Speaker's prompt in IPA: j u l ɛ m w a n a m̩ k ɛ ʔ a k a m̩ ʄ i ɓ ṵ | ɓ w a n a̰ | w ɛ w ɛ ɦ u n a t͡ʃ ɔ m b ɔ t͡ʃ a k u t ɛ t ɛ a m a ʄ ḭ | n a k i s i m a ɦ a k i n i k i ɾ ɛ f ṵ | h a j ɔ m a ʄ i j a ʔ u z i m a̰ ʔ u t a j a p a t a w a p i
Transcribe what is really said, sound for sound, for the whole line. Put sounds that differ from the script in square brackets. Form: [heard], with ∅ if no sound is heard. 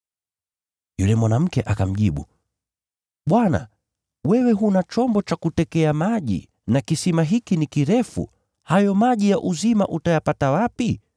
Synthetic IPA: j u l ɛ m w a n a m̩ k ɛ ʔ a k a m̩ ʄ i ɓ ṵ | ɓ w a n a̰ | w ɛ w ɛ ɦ u n a t͡ʃ ɔ m b ɔ t͡ʃ a k u t ɛ [k] ɛ a m a ʄ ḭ | n a k i s i m a ɦ [i] k i n i k i ɾ ɛ f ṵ | h a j ɔ m a ʄ i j a ʔ u z i m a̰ ʔ u t a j a p a t a w a p i